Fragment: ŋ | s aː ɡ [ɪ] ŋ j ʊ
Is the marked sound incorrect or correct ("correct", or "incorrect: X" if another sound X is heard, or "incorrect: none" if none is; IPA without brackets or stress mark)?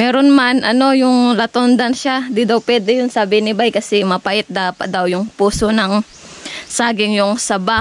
correct